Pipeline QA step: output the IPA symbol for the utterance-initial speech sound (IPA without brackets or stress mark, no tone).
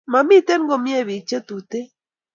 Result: m